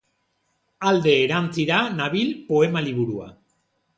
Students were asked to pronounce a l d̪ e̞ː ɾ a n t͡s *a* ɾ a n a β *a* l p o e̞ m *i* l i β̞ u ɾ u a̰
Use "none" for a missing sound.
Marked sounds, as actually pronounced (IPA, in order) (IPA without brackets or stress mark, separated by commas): i, i, a